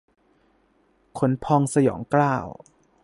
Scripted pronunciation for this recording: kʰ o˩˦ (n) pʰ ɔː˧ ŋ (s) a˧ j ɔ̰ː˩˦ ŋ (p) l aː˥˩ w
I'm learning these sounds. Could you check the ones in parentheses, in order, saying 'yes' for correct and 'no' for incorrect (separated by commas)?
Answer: yes, yes, no